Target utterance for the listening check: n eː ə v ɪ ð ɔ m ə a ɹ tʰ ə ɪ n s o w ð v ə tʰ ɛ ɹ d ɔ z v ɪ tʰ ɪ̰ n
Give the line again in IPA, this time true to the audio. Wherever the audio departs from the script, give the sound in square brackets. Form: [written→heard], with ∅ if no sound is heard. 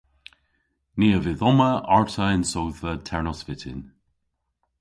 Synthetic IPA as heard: n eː ə v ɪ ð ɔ m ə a ɹ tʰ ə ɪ n s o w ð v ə tʰ ɛ ɹ [d→n] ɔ [z→s] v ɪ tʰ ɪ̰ n